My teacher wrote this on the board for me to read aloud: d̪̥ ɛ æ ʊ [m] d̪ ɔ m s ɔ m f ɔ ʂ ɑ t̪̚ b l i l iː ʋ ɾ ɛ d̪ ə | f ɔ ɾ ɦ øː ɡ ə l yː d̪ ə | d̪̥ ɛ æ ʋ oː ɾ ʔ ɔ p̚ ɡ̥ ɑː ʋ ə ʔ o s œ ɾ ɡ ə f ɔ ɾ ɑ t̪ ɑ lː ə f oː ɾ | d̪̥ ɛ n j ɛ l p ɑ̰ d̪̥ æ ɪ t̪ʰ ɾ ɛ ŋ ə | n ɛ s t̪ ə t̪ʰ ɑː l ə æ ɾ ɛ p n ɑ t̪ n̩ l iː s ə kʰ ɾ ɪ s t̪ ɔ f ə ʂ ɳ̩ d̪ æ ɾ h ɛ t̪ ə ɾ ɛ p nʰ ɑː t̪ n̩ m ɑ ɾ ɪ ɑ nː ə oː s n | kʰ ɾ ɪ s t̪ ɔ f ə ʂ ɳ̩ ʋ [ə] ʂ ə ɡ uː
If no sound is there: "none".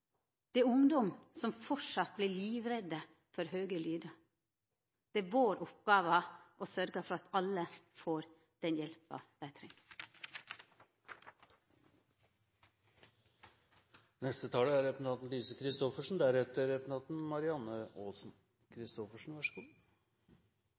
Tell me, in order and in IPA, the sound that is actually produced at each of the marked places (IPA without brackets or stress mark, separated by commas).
ŋ, ɑ